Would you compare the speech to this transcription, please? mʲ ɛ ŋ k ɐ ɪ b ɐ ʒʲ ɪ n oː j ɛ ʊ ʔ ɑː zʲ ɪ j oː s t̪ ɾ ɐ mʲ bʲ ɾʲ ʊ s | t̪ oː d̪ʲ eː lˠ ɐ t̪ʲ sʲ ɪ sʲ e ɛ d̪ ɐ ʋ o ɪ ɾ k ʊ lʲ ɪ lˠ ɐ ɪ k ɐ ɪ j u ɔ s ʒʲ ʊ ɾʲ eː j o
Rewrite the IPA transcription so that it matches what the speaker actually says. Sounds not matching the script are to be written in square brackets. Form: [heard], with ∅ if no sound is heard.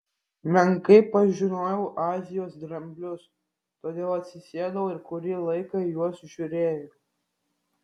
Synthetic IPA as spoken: mʲ ɛ ŋ k ɐ ɪ [p] ɐ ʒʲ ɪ n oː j ɛ ʊ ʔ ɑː zʲ ɪ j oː s [d̪] ɾ ɐ mʲ bʲ [lʲ] ʊ s | t̪ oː d̪ʲ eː lˠ ɐ t̪ʲ sʲ ɪ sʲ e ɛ d̪ ɐ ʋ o ɪ ɾ k ʊ [ɾʲ] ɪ lˠ ɐ ɪ k ɐ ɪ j u ɔ s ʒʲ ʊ ɾʲ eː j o